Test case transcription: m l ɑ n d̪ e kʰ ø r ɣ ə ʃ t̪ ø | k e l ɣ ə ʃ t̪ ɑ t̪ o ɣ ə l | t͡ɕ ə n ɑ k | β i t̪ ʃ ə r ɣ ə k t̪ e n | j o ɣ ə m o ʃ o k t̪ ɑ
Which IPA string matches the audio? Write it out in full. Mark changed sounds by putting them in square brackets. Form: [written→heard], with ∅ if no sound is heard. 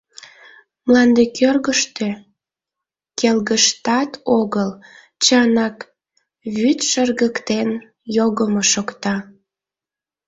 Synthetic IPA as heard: m l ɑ n d̪ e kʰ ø r ɣ ə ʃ t̪ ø | k e l ɣ ə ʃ t̪ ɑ t̪ o ɣ ə l | t͡ɕ [ə→ɑ] n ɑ k | β [i→y] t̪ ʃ ə r ɣ ə k t̪ e n | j o ɣ ə m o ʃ o k t̪ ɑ